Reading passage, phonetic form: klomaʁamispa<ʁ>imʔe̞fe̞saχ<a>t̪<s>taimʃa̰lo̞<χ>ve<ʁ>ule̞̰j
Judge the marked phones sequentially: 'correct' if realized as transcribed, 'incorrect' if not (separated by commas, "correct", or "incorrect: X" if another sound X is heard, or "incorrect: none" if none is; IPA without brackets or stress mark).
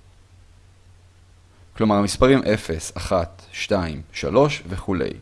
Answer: correct, correct, incorrect: ʃ, incorrect: ʃ, incorrect: χ